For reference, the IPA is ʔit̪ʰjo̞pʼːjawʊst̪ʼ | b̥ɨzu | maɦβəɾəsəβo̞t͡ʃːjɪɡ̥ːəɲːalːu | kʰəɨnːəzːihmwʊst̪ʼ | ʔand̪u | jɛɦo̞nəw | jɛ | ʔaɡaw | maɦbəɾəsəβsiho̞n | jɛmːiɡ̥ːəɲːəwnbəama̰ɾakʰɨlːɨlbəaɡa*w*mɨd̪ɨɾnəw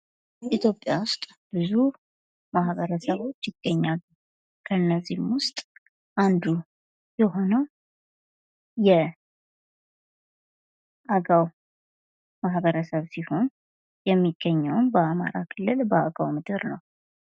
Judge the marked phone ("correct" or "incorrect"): correct